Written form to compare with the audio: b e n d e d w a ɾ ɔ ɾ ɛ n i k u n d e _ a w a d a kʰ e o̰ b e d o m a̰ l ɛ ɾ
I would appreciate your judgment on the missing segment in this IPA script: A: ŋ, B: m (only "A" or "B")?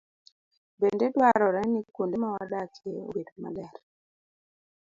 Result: B